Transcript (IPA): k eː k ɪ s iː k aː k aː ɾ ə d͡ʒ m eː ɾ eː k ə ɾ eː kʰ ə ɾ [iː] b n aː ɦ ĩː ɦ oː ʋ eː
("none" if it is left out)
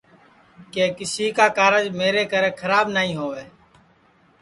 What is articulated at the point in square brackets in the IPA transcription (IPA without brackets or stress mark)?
aː